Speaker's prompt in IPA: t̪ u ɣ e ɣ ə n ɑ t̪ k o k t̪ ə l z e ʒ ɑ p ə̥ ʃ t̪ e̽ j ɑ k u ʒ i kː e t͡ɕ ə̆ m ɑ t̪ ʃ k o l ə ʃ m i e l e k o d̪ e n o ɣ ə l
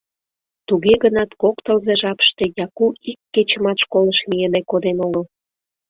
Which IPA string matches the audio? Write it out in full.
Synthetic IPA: t̪ u ɣ e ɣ ə n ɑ t̪ k o k t̪ ə l z e ʒ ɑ p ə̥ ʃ t̪ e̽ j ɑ k u i kː e t͡ɕ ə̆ m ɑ t̪ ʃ k o l ə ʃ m i e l e k o d̪ e n o ɣ ə l

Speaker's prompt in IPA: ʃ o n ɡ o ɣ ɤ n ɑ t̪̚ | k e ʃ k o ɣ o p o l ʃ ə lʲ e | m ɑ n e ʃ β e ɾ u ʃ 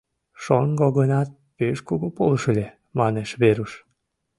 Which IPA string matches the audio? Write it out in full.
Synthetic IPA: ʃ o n ɡ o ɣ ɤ n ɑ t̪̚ | p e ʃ k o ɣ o p o l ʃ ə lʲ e | m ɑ n e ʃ β e ɾ u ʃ

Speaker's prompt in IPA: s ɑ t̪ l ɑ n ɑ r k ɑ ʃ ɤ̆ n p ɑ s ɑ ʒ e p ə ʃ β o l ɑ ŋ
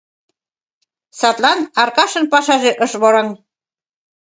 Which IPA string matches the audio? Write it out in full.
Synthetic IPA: s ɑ t̪ l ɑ n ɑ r k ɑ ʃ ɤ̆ n p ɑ ʃ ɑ ʒ e ʔ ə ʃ β o ɾ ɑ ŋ

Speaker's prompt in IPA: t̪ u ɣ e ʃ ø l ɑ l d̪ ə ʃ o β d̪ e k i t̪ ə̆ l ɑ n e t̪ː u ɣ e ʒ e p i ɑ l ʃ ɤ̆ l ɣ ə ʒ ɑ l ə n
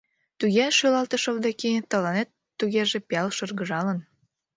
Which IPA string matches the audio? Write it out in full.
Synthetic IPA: t̪ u ɣ e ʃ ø l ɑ l t̪ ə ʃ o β d̪ e k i t̪ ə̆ l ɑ n e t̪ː u ɣ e ʒ e p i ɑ l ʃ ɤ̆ r ɣ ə ʒ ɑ l ə n

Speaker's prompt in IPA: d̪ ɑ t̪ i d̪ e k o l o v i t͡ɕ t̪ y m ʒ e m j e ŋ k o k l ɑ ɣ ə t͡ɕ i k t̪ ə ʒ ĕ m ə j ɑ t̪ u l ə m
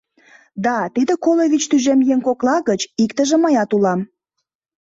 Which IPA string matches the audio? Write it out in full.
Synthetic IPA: d̪ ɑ t̪ i d̪ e k o l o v i t͡ɕ t̪ y ʒ e m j e ŋ k o k l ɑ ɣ ə t͡ɕ i k t̪ ə ʒ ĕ m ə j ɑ t̪ u l ɑ m

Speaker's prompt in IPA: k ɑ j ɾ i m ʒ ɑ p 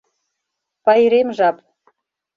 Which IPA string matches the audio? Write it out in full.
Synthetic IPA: p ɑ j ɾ e m ʒ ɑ p

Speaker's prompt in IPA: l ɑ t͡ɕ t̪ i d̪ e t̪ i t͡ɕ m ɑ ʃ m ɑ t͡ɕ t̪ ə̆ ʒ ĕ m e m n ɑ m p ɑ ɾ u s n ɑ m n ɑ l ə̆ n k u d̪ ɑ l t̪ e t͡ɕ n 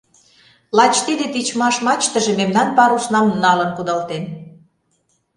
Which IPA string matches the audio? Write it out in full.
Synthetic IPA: l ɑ t͡ɕ t̪ i d̪ e t̪ i t͡ɕ m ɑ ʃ m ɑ t͡ɕ t̪ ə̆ ʒ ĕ m e m n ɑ n p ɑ ɾ u s n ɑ m n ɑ l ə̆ n k u d̪ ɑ l t̪ e n

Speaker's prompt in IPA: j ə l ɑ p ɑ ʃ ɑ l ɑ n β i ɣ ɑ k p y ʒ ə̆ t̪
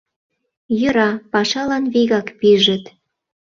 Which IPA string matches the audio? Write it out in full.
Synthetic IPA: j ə ɾ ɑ p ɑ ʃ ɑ l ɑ n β i ɣ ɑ k p i ʒ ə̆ t̪

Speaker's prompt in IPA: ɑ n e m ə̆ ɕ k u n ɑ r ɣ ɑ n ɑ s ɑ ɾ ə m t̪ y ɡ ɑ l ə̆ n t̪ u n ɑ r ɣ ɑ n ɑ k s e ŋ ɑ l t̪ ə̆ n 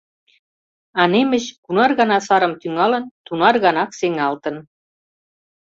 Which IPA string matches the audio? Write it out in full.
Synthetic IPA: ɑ n e m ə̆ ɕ k u n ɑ r ɣ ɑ n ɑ s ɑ ɾ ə m t̪ y ŋ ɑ l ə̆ n t̪ u n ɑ r ɣ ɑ n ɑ k s e ŋ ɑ l t̪ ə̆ n

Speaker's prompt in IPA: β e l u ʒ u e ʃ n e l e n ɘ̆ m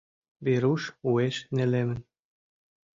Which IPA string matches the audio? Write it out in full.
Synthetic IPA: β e ɾ u ʃ u e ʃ n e l e m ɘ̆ n

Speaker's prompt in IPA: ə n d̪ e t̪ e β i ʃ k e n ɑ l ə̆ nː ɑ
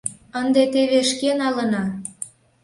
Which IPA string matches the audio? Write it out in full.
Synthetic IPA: ə n d̪ e t̪ e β e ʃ k e n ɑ l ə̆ n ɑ

